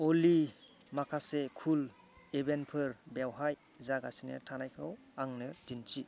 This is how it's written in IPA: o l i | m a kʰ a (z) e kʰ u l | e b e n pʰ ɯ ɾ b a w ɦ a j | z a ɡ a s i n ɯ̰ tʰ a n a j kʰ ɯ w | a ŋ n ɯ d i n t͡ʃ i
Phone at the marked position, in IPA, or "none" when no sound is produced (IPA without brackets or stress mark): s